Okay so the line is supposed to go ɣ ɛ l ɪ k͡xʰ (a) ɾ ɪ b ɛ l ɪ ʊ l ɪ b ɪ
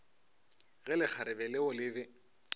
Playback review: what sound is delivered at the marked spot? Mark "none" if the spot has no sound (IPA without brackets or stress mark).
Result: a